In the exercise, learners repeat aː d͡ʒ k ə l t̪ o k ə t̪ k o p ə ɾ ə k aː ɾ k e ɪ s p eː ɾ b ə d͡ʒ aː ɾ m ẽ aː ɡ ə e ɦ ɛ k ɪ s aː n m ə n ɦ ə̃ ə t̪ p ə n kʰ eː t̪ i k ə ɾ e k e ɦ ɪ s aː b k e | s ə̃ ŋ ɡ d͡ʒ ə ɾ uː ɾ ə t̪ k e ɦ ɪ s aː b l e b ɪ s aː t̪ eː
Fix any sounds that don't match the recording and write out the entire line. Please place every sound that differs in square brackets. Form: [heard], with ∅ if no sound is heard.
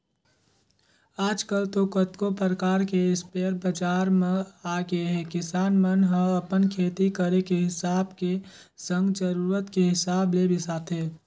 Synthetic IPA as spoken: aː d͡ʒ k ə l t̪ o k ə t̪ k o p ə ɾ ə k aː ɾ k e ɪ s p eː ɾ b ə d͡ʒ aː ɾ m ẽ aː ɡ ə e ɦ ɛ k ɪ s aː n m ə n ɦ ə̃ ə [∅] p ə n kʰ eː t̪ i k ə ɾ e k e ɦ ɪ s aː b k e | s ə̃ ŋ ɡ d͡ʒ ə ɾ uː ɾ ə t̪ k e ɦ ɪ s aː b l e b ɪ s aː t̪ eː